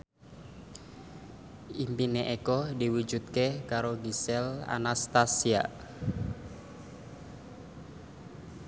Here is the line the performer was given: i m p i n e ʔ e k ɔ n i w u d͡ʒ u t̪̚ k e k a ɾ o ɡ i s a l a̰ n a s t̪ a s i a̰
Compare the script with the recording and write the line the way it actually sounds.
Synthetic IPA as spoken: i m p i n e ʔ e k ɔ d i w u d͡ʒ u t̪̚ k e k a ɾ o ɡ i s ɛ l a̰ n a s t̪ a s i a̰